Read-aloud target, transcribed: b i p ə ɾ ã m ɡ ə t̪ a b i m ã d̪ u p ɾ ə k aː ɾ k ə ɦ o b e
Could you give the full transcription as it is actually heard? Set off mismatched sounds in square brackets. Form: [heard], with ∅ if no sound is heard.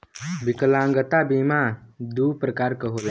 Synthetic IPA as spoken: b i [k] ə [l] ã [ŋ] ɡ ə t̪ a b i m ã d̪ u p ɾ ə k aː ɾ k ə ɦ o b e